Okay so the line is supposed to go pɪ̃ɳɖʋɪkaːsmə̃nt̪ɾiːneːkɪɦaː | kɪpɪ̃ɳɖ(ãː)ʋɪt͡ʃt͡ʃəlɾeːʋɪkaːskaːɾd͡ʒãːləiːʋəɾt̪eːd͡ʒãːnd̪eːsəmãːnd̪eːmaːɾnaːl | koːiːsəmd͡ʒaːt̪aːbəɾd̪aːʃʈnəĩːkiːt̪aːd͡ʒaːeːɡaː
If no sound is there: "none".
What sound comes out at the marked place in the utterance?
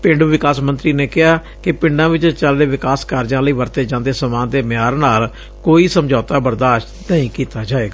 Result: ãː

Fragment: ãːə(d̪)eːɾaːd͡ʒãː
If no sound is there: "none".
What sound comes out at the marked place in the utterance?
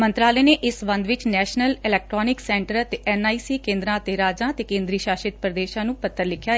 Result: t̪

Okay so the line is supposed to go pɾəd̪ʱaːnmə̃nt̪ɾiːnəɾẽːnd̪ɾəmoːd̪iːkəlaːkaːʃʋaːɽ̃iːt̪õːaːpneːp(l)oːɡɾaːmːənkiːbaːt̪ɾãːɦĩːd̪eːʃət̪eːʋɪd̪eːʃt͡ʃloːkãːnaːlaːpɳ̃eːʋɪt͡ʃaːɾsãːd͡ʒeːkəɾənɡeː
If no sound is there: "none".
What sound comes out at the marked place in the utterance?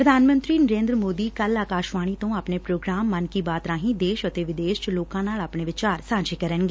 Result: ɾ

